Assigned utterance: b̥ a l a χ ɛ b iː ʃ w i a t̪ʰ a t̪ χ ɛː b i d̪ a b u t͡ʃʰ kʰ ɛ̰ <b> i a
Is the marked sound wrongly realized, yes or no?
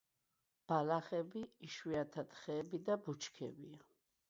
no